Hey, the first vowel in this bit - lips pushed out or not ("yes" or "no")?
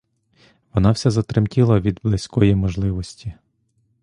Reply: yes